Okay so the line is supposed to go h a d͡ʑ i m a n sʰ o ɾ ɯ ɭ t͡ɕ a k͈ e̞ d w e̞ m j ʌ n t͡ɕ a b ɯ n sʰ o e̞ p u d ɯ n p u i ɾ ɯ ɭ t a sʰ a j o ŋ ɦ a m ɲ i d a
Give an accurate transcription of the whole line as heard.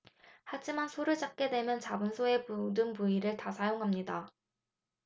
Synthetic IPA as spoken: h a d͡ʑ i m a n sʰ o ɾ ɯ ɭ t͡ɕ a k͈ e̞ d w e̞ m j ʌ n t͡ɕ a b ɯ n sʰ o e̞ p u d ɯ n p u i ɾ ɯ ɭ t a sʰ a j o ŋ ɦ a m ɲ i d a